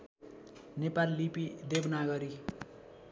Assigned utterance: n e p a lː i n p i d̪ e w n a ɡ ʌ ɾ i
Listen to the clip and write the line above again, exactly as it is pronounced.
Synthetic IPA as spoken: n e p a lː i p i d̪ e b n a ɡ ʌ ɾ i